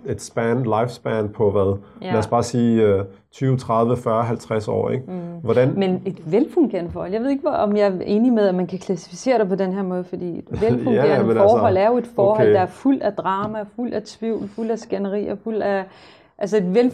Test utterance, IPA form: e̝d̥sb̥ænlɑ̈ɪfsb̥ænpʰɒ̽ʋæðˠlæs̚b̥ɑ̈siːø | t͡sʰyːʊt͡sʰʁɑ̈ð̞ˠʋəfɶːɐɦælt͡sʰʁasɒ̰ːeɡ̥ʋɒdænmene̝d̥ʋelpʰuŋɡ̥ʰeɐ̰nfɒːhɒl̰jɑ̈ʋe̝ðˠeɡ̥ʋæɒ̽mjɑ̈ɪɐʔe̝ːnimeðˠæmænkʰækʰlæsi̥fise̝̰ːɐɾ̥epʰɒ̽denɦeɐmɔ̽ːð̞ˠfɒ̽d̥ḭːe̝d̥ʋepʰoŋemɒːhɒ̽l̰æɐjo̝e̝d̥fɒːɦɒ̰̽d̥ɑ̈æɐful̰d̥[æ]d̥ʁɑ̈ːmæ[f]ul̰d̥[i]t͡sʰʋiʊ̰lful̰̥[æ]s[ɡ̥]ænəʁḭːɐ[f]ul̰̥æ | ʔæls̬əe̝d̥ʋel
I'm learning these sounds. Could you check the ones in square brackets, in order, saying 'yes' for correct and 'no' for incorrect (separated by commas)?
yes, yes, no, yes, yes, yes